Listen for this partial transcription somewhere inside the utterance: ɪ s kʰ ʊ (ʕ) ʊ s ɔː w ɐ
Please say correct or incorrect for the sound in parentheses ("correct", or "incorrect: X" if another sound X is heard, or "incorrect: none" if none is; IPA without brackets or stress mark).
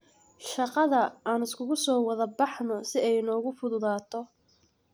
incorrect: ɣ